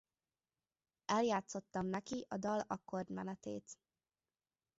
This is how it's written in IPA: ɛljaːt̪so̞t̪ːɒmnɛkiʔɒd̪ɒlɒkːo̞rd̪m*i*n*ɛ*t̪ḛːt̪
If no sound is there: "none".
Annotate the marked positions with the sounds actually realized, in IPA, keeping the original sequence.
ɛ, ɛ

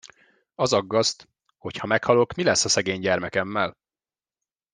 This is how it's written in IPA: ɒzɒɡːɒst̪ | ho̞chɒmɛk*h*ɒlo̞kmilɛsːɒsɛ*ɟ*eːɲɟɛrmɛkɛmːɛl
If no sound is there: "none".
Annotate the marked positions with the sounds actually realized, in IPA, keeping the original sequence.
h, ɡ

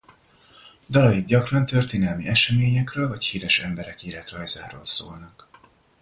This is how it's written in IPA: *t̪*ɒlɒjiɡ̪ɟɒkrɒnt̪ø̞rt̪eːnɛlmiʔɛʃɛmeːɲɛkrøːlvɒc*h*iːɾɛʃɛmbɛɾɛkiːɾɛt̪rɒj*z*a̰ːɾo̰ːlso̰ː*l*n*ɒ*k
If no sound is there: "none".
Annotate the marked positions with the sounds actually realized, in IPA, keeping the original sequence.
d̪, h, z, l, ɒ

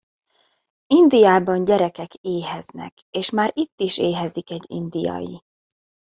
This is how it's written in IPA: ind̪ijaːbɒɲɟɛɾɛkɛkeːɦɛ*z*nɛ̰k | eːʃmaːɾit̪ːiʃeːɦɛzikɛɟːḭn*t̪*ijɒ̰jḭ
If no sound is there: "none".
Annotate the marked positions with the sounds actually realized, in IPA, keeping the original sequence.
z, d̪

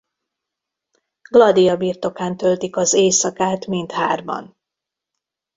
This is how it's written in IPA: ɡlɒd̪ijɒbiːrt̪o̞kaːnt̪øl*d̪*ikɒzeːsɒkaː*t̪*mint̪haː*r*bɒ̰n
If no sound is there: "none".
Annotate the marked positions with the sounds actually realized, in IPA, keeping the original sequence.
t̪, t̪, r

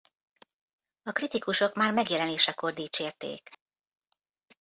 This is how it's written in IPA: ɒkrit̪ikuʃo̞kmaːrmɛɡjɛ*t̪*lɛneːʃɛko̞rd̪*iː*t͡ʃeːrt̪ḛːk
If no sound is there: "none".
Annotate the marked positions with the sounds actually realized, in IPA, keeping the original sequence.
none, iː

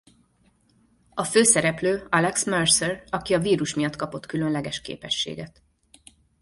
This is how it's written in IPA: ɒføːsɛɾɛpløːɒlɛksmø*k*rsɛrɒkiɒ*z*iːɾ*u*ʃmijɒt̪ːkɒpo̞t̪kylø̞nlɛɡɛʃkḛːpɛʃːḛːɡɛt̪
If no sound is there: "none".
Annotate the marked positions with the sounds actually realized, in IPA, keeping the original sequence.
none, v, u

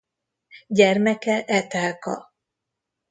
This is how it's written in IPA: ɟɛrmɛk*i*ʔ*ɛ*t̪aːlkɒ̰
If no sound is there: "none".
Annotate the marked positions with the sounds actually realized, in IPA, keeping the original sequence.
ɛ, ɛ

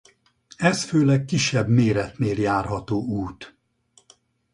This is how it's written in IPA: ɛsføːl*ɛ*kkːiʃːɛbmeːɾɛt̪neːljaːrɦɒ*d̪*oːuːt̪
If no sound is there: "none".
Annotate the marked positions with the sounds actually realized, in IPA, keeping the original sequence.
ɛ, t̪

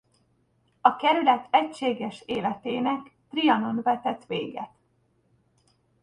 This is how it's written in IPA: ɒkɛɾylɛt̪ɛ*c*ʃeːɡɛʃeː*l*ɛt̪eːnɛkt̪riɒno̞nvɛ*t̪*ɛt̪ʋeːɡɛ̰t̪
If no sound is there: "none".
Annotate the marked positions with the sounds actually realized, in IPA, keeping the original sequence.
c, l, t̪

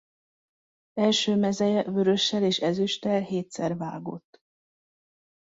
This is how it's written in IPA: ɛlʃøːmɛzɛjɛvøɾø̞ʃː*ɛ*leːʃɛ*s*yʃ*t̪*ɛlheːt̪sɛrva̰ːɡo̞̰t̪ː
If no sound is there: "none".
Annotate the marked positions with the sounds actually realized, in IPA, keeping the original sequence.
ɛ, z, t̪

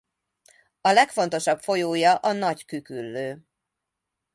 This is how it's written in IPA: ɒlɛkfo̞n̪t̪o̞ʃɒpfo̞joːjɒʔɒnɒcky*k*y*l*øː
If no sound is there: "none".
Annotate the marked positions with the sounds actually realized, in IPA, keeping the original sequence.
k, lː

